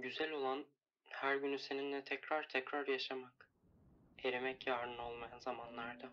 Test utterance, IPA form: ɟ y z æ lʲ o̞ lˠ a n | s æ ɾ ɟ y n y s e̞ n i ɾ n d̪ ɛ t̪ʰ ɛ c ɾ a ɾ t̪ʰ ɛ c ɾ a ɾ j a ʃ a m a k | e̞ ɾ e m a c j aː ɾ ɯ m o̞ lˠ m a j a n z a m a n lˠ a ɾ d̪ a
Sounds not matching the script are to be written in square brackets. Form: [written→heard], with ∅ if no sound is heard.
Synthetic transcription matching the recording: ɟ y z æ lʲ o̞ lˠ a n | [s→h] æ ɾ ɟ y n y s e̞ n i [ɾ→∅] n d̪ ɛ t̪ʰ ɛ c ɾ a ɾ t̪ʰ ɛ c ɾ a ɾ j a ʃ a m a k | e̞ ɾ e m [a→ɛ] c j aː ɾ ɯ [m→n] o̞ lˠ m a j a n z a m a n lˠ a ɾ d̪ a